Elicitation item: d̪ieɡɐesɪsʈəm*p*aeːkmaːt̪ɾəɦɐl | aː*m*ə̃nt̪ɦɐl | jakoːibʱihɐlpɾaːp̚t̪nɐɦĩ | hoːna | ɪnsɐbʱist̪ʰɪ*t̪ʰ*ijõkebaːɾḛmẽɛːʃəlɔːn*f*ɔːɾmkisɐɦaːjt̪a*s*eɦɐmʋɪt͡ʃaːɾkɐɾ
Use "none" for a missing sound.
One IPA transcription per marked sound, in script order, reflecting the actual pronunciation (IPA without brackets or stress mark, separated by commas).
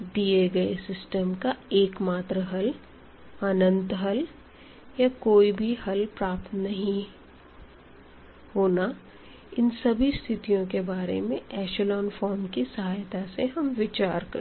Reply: k, n, t̪, f, s